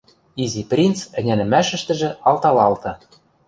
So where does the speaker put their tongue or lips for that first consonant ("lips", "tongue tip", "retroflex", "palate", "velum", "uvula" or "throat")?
tongue tip